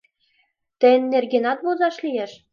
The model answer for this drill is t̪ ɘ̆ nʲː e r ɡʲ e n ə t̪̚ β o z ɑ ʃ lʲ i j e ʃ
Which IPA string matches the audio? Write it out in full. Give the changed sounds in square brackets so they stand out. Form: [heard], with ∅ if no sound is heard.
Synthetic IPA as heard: t̪ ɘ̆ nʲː e r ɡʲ e n [ɑ] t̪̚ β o z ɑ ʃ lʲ i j e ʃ